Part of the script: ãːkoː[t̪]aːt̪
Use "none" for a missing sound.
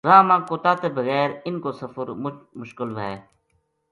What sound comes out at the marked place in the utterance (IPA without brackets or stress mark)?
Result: t̪